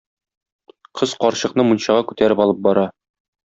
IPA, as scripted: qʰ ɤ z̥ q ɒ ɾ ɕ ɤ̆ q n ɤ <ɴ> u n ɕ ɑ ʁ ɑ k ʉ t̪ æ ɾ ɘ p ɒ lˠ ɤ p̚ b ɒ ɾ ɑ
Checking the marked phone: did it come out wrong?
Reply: yes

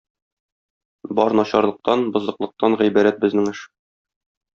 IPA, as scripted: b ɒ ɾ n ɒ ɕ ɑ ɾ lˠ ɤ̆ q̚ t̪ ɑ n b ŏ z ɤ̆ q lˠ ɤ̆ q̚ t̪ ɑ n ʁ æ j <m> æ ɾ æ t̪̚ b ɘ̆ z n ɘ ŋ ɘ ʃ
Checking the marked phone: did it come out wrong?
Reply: yes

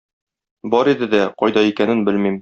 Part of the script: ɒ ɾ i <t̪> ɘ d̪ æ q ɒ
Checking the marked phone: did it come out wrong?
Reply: yes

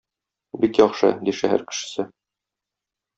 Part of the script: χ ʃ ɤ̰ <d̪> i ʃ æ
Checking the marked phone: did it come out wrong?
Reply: no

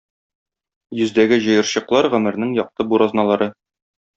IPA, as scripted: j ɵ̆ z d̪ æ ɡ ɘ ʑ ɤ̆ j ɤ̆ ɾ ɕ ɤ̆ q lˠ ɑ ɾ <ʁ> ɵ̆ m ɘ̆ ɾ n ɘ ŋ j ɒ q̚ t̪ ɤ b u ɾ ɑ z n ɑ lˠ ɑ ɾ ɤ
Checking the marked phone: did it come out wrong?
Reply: no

